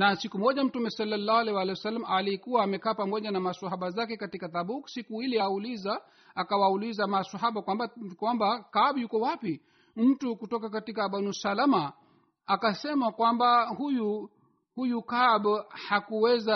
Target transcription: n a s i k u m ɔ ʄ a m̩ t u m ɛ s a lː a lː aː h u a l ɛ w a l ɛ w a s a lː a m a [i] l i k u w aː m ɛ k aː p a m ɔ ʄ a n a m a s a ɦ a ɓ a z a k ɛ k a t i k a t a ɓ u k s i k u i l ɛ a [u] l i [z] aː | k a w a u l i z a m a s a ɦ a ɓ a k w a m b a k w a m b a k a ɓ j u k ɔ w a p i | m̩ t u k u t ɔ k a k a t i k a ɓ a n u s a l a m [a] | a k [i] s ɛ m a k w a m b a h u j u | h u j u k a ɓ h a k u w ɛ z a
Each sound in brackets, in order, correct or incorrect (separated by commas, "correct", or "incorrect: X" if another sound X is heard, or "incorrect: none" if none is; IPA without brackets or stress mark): incorrect: a, correct, correct, correct, incorrect: a